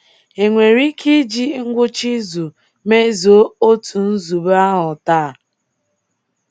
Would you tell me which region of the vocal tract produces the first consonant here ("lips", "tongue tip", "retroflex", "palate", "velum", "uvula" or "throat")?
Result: velum